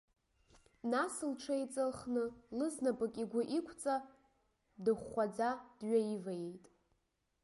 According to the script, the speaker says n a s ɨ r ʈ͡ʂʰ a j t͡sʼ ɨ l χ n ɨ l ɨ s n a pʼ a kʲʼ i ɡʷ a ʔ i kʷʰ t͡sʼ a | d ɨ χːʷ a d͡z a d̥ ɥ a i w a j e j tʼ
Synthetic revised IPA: n a s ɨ l ʈ͡ʂʰ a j t͡sʼ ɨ l χ n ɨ l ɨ z n a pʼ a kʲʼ i ɡʷ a ʔ i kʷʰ t͡sʼ a | d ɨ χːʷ a d͡z a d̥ ɥ a i v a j e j tʼ